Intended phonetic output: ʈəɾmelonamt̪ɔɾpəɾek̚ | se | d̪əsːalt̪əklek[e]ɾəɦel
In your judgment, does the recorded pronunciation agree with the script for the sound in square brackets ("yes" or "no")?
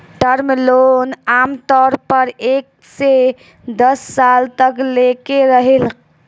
yes